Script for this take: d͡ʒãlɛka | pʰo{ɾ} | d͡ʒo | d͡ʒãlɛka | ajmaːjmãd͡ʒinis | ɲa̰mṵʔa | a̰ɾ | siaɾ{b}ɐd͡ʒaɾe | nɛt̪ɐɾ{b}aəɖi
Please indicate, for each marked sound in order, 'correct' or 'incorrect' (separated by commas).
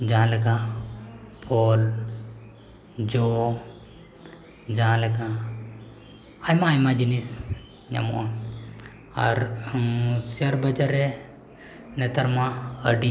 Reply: incorrect, correct, incorrect